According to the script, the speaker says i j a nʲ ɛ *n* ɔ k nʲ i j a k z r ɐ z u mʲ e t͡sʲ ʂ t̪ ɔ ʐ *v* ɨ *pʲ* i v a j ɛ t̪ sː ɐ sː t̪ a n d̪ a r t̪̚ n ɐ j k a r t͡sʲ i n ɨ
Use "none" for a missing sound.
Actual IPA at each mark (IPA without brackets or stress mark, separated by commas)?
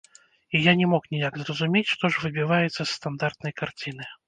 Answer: m, v, bʲ